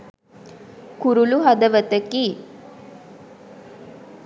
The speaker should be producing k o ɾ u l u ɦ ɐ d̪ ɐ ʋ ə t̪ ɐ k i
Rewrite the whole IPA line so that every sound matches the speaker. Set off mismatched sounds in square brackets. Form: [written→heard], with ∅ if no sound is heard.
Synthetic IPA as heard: k [o→u] ɾ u l u ɦ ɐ d̪ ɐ ʋ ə t̪ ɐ k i